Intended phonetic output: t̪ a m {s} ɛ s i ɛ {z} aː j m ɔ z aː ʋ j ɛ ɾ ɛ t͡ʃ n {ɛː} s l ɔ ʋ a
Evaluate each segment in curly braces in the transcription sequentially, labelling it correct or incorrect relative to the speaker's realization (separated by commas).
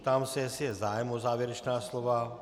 correct, correct, incorrect